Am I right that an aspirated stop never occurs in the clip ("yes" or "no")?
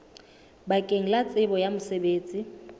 yes